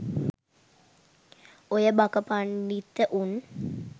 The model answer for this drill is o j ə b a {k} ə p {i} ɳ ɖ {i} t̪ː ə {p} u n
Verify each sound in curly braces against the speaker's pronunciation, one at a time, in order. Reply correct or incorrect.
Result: correct, incorrect: a, correct, incorrect: ʔ

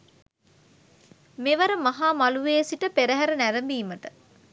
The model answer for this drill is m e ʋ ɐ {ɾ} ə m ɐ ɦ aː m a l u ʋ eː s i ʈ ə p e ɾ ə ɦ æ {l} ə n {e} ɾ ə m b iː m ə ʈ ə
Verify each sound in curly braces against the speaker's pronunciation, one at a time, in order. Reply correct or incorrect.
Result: correct, incorrect: ɾ, incorrect: æ

